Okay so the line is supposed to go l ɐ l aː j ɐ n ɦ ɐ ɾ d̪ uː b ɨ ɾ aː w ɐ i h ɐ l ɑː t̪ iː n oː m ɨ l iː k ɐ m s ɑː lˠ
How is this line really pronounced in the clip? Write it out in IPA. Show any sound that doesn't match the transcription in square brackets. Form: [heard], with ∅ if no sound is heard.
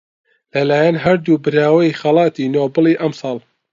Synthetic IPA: l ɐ l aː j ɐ n ɦ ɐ ɾ d̪ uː b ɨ ɾ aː w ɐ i [x] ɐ l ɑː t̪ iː n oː [b] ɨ l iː [ʔ] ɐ m s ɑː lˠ